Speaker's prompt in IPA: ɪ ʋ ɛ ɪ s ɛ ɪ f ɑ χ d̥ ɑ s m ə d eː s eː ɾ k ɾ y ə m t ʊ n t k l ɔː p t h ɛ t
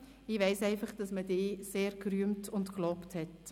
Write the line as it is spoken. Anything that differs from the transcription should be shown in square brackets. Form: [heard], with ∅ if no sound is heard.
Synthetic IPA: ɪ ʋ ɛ ɪ s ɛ ɪ f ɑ χ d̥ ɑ s m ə d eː s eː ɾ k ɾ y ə m t ʊ n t k l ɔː p t h ɛ t